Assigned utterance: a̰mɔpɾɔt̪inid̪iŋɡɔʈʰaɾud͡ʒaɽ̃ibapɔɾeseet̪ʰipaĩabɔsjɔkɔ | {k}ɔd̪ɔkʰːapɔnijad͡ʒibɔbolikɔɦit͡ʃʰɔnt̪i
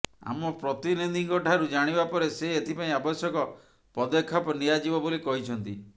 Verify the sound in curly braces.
incorrect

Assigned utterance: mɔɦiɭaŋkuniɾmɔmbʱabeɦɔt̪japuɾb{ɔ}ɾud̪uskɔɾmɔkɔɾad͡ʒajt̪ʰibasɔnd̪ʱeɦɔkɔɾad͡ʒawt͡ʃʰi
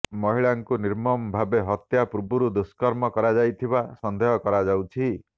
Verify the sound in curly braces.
incorrect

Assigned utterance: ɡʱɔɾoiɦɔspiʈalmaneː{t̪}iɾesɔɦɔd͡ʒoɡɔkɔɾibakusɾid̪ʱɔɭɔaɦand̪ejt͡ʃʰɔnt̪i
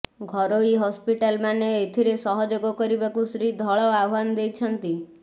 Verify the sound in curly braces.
incorrect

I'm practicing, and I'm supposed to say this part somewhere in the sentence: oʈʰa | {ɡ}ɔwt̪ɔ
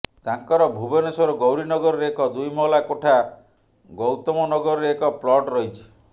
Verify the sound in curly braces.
correct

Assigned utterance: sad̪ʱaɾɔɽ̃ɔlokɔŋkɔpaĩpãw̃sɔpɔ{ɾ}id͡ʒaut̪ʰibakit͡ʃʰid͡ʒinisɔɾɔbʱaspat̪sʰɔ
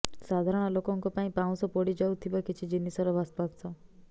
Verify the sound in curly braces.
incorrect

